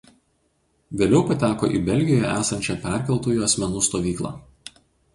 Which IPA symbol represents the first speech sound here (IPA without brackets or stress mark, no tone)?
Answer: ʋʲ